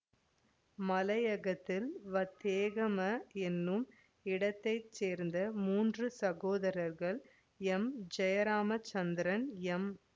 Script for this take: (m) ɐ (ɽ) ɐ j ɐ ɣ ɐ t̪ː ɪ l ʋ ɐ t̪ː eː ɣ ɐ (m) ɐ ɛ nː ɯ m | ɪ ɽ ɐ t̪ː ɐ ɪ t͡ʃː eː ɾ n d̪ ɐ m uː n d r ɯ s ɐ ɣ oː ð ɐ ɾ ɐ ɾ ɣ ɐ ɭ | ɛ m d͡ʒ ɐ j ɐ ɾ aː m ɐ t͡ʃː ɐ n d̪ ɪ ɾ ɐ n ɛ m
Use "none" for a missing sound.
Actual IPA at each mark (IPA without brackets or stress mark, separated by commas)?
m, l, m